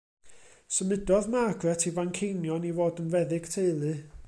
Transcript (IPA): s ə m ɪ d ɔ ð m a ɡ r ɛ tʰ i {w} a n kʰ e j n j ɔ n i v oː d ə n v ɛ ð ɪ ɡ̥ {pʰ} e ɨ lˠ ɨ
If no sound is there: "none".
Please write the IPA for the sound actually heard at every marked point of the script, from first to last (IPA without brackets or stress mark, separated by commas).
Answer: v, tʰ